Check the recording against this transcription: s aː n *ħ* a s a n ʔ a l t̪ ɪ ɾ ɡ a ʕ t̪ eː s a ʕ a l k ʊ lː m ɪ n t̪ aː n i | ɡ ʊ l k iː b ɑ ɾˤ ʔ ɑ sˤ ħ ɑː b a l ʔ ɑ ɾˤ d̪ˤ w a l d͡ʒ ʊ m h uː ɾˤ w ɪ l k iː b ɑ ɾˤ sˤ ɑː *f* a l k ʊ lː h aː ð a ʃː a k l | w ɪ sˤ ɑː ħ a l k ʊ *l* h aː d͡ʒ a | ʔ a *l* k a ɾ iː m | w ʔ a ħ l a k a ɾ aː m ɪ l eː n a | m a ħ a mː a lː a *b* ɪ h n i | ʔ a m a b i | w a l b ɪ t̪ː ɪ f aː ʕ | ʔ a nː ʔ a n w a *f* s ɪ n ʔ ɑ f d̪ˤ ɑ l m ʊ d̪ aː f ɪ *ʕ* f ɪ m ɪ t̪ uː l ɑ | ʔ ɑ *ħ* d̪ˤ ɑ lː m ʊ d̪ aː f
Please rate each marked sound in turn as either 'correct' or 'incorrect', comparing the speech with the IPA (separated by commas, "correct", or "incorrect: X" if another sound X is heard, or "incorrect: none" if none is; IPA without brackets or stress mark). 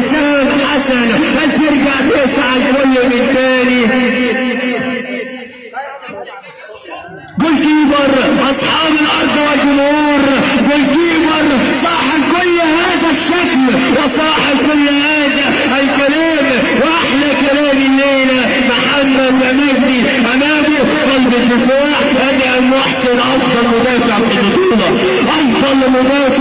correct, incorrect: ħ, incorrect: lː, correct, incorrect: m, incorrect: ħ, correct, incorrect: f